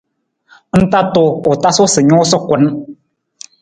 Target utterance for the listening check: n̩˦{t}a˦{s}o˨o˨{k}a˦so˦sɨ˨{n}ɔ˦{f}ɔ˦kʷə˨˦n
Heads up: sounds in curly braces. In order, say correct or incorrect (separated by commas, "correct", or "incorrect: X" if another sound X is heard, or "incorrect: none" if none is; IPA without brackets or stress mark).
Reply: correct, incorrect: t, incorrect: t, incorrect: ɲ, incorrect: s